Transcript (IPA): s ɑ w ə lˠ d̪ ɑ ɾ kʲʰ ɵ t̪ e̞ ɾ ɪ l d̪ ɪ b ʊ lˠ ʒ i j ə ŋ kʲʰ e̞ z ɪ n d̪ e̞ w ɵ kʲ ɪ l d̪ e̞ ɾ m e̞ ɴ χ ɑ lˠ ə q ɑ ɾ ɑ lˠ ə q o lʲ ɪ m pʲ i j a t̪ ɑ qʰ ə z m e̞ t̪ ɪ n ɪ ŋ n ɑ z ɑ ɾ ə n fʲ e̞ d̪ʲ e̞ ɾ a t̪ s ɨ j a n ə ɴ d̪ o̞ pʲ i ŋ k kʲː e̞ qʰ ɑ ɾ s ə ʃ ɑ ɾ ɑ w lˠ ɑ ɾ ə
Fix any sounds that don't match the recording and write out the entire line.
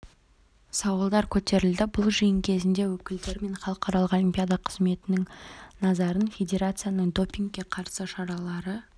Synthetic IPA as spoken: s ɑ w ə lˠ d̪ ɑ ɾ kʲʰ ɵ t̪ e̞ ɾ ɪ l d̪ ɪ b ʊ lˠ ʒ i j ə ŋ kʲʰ e̞ z ɪ n d̪ e̞ w ɵ kʲ ɪ l d̪ e̞ ɾ m e̞ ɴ χ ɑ lˠ ə q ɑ ɾ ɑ lˠ ə q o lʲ i m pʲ i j a d̪ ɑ qʰ ə z m e̞ t̪ ɪ n ɪ ŋ n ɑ z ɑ ɾ ə n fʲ e̞ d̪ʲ e̞ ɾ a t̪ s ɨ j a n ə ɴ d̪ o̞ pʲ i ŋ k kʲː e̞ qʰ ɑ ɾ s ə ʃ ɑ ɾ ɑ lˠ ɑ ɾ ə